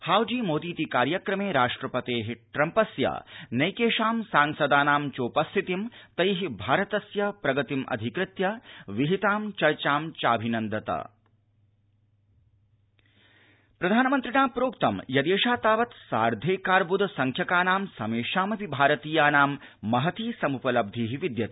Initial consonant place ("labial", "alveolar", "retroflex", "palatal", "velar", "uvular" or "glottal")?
glottal